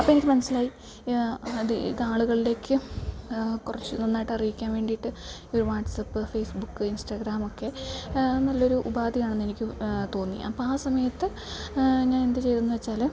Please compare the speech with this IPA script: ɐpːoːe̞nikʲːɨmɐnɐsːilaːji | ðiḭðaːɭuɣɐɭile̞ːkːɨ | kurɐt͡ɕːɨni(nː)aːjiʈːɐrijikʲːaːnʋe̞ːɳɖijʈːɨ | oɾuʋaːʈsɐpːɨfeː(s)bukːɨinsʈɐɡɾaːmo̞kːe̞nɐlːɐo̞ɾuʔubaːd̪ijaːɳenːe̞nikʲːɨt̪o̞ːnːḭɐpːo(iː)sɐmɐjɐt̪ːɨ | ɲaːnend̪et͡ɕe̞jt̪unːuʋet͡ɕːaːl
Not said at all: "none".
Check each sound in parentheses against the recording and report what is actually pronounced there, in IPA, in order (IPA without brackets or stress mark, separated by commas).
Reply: nː, s, aː